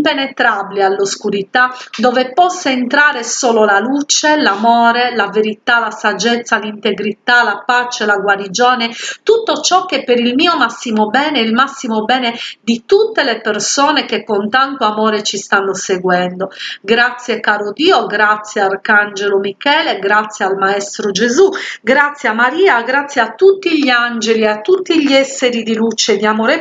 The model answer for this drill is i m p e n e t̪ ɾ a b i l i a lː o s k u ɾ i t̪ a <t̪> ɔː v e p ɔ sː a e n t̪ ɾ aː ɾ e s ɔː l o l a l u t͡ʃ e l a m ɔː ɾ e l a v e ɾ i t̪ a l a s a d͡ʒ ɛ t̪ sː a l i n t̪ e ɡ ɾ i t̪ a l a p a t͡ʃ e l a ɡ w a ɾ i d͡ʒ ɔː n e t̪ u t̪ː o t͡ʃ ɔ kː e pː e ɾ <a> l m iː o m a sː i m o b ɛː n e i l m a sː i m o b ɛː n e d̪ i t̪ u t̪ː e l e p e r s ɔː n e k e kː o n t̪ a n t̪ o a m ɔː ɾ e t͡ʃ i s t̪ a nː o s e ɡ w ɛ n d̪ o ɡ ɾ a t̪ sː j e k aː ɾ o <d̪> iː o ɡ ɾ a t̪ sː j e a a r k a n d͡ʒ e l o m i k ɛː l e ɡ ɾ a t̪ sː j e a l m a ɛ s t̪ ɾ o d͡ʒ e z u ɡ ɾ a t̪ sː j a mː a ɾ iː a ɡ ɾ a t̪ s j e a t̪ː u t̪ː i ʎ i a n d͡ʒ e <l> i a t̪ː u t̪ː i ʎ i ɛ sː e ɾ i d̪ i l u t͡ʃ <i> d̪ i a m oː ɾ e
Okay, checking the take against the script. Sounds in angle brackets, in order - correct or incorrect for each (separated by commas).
incorrect, incorrect, correct, correct, incorrect